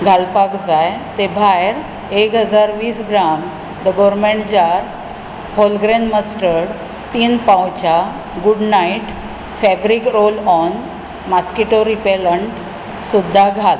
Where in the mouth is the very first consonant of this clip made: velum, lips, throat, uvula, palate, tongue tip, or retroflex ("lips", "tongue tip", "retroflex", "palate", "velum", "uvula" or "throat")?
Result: velum